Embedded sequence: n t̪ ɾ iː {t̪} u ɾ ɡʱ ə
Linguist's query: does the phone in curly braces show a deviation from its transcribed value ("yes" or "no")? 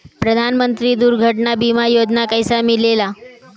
yes